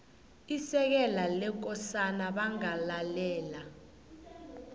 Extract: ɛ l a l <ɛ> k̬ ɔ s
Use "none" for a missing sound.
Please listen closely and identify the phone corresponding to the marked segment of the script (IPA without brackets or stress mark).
ɛ